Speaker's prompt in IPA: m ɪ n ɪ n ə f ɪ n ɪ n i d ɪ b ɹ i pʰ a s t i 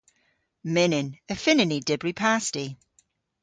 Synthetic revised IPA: m ɪ n ɪ n ə f ɪ n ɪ n i d ɪ b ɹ i pʰ a s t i

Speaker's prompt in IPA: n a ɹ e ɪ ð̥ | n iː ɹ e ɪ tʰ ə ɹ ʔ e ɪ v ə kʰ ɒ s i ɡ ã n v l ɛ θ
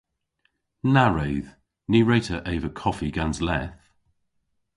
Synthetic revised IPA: n a ɹ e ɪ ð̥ | n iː ɹ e ɪ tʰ ə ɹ ʔ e ɪ v ə kʰ ɒ f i ɡ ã n z l ɛ θ

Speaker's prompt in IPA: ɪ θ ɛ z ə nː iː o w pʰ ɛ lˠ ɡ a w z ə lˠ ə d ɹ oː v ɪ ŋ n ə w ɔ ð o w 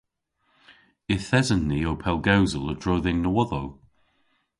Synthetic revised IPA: ɪ θ ɛ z ə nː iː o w pʰ ɛ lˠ ɡ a w z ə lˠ ə d ɹ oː ð ɪ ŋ n ə w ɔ ð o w

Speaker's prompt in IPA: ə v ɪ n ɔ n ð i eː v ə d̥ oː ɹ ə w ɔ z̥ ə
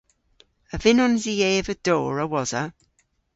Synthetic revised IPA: ə v ɪ n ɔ n z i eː v ə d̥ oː ɹ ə w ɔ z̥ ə

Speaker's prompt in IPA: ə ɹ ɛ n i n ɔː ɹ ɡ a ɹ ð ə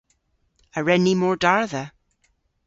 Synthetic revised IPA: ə ɹ ɛ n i m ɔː ɹ d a ɹ ð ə

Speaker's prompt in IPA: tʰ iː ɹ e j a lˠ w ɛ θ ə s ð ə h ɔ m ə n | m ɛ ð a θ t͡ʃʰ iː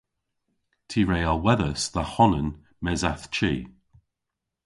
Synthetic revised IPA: tʰ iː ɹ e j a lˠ w ɛ ð ə s ð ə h ɔ n ə n | m ɛ z a θ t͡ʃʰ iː

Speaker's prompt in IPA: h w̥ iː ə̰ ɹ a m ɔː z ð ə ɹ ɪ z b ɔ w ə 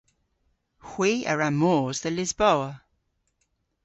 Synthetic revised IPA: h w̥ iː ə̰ ɹ a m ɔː z ð ə l ɪ z b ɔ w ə

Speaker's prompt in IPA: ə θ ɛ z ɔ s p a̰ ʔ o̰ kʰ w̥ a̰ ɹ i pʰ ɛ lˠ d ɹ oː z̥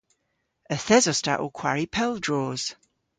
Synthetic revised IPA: ə θ ɛ z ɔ s t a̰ ʔ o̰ kʰ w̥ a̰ ɹ i pʰ ɛ lˠ d ɹ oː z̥

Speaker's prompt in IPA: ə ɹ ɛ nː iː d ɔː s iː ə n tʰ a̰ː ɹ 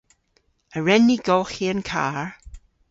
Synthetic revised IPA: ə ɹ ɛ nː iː ɡ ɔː x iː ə n kʰ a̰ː ɹ

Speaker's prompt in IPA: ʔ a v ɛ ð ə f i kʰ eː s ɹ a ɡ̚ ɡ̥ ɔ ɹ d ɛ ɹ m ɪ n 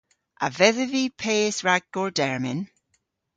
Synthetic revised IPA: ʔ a v ɛ ð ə v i pʰ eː s ɹ a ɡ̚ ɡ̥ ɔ ɹ d ɛ ɹ m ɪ n

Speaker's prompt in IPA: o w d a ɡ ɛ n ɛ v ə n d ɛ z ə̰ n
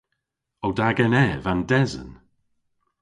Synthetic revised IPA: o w d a ɡ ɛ n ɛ v a n d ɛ z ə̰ n

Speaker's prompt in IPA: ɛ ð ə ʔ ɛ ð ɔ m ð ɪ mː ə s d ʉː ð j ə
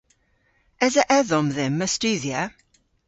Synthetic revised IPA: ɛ z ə ʔ ɛ ð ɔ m ð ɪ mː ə s t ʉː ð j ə

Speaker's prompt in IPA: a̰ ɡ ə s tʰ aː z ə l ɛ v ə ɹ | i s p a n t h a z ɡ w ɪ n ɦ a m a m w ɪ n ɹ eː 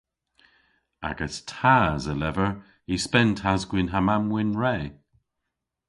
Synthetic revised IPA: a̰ ɡ ə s tʰ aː z ə l ɛ v ə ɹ | i s p ɛ n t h a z ɡ w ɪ n ɦ a m a m w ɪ n ɹ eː

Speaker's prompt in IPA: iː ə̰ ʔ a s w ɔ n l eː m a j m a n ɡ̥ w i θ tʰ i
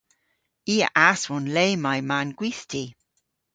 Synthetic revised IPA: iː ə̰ ʔ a s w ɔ n l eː m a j m a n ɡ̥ w i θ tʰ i

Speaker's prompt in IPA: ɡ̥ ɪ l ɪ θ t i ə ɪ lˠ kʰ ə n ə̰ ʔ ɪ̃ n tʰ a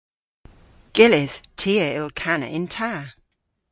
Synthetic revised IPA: ɡ̥ ɪ l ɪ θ tʰ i ə ɪ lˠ kʰ a n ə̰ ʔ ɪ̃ n tʰ a

